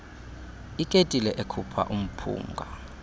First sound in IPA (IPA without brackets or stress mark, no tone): i